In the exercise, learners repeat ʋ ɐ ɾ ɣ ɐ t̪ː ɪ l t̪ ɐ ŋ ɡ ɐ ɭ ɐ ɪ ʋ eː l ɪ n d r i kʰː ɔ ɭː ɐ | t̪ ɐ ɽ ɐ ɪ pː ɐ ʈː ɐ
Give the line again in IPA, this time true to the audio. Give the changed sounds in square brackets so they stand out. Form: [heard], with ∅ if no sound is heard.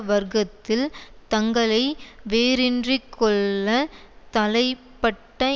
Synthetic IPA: ʋ ɐ ɾ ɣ ɐ t̪ː ɪ l t̪ ɐ ŋ ɡ ɐ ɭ ɐ ɪ ʋ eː [ɾ] ɪ n d r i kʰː ɔ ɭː ɐ | t̪ ɐ [l] ɐ ɪ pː ɐ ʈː ɐ